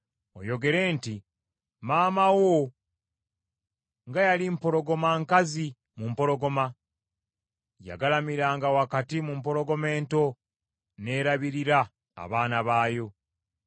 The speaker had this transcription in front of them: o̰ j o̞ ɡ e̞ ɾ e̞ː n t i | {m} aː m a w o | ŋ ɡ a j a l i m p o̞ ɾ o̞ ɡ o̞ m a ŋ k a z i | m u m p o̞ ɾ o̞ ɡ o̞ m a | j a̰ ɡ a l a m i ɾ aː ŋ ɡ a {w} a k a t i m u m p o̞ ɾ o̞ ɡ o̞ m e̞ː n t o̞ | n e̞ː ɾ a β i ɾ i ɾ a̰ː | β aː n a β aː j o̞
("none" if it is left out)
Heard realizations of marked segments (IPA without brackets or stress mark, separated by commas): m, w